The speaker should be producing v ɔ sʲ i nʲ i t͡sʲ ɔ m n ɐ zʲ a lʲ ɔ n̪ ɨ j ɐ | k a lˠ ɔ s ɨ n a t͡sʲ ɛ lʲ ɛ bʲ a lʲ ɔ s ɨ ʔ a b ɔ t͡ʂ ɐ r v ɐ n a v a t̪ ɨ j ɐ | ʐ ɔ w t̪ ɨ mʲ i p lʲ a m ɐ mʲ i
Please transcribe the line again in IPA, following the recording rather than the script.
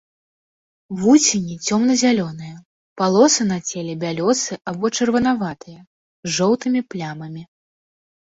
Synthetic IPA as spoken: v u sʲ i nʲ i t͡sʲ ɔ m n ɐ zʲ a lʲ ɔ n̪ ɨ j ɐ | p a lˠ ɔ s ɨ n a t͡sʲ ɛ lʲ ɛ bʲ a lʲ ɔ s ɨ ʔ a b ɔ t͡ʂ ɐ r v ɐ n a v a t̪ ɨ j ɐ | ʐ ɔ w t̪ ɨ mʲ i p lʲ a m ɐ mʲ i